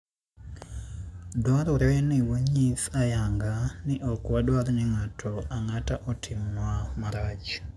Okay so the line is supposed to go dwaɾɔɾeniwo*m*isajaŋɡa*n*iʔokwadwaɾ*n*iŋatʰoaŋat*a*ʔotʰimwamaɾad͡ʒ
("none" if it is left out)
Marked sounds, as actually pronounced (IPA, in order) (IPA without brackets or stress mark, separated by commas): ɲ, n, n, a